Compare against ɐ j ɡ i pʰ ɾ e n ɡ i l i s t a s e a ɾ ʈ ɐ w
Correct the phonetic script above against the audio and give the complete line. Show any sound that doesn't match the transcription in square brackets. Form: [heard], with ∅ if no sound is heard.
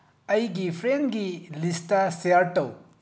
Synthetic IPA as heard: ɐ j ɡ i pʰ ɾ e n ɡ i l i s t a s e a ɾ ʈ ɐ w